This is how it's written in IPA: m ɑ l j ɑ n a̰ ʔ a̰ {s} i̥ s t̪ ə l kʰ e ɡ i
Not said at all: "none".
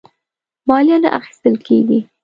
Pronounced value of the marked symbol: x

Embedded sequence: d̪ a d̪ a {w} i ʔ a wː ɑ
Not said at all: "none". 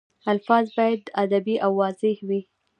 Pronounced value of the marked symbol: b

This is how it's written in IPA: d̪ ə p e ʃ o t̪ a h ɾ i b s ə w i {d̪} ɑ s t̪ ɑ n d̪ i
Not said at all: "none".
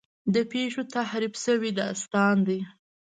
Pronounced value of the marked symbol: d̪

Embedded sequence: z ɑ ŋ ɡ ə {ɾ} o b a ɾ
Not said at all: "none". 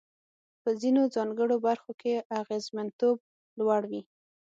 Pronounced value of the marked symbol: ɽ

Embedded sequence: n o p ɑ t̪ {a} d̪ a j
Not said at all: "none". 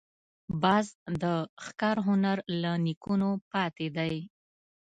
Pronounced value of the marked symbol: e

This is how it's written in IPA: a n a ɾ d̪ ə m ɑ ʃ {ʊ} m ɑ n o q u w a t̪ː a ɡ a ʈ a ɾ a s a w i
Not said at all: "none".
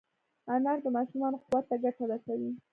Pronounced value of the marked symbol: u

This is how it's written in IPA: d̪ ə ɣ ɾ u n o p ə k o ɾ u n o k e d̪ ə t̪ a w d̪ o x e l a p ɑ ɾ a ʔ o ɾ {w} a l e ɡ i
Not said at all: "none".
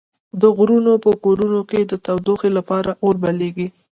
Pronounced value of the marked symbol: b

